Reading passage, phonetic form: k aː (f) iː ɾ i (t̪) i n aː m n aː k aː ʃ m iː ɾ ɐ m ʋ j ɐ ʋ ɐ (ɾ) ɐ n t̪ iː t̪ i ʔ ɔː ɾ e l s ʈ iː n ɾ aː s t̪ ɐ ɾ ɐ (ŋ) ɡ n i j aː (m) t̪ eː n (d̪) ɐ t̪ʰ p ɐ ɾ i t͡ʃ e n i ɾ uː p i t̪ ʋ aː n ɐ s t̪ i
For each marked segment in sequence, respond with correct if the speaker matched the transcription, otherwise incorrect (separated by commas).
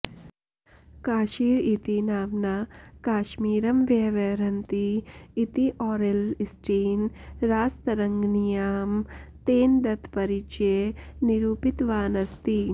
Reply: incorrect, correct, correct, correct, correct, correct